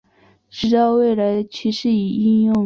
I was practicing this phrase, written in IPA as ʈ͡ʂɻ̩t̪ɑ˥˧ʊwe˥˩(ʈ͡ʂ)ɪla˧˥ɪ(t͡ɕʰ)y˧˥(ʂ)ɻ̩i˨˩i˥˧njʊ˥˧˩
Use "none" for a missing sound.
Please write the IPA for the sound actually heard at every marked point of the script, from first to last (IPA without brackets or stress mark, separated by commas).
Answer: none, t͡ɕʰ, ʂ